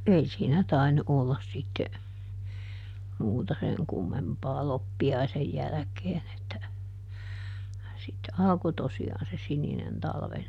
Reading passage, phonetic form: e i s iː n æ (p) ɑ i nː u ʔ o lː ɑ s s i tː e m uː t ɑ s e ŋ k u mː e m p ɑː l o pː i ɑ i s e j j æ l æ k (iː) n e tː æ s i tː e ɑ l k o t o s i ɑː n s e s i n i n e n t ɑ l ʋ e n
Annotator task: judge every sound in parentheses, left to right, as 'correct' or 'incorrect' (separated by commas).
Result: incorrect, incorrect